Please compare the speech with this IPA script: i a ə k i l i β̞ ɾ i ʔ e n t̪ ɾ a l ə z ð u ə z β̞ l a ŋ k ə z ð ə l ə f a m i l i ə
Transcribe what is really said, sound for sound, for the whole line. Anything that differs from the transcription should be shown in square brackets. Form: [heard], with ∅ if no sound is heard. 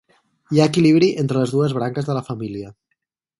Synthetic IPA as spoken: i a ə k i l i β̞ ɾ i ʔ e n t̪ ɾ [ə] l ə z ð u ə z β̞ [ɾ] a ŋ k ə z ð ə l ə f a m i l i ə